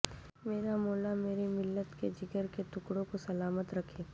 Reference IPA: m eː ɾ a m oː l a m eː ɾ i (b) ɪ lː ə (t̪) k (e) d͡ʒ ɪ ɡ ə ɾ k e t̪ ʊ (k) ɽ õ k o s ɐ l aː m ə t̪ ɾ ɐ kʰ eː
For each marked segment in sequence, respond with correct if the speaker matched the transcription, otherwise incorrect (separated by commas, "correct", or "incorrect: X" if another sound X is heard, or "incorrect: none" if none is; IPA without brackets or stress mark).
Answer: incorrect: m, correct, correct, correct